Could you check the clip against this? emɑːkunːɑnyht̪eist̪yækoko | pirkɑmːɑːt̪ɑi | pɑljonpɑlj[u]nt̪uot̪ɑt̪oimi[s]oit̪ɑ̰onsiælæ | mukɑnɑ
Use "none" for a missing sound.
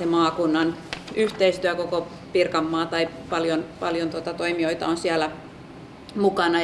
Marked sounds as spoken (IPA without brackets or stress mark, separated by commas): o, none